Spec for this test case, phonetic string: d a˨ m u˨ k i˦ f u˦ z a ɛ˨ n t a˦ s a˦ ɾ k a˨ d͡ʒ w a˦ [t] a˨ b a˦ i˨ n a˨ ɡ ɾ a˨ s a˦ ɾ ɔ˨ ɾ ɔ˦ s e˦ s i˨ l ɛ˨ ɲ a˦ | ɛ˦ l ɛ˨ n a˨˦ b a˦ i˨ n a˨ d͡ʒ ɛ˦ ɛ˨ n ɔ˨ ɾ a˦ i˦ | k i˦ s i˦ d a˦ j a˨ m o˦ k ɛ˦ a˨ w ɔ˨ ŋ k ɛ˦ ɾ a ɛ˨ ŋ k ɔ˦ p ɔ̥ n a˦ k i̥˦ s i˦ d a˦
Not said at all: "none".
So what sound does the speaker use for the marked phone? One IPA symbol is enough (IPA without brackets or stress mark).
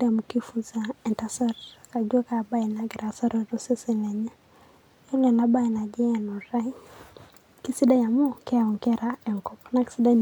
k